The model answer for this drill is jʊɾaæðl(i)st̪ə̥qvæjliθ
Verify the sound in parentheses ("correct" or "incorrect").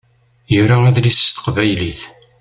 correct